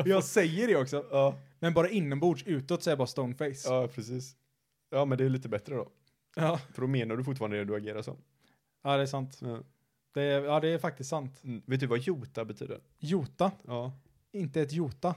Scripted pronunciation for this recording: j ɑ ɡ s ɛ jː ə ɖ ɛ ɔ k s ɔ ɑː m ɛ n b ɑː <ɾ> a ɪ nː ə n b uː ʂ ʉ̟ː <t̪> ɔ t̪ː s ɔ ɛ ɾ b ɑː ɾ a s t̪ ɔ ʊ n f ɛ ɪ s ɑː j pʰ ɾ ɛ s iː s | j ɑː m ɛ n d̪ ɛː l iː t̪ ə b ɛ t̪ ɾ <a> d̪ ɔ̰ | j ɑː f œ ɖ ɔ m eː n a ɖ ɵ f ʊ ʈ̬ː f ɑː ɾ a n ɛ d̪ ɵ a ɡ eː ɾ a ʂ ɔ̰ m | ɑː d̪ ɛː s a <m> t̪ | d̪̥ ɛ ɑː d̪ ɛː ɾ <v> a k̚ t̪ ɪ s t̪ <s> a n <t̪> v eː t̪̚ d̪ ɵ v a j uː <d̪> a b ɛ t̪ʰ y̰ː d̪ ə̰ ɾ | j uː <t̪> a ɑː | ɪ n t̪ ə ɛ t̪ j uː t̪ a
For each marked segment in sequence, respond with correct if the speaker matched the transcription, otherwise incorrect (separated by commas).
correct, correct, incorrect, incorrect, incorrect, correct, correct, incorrect, correct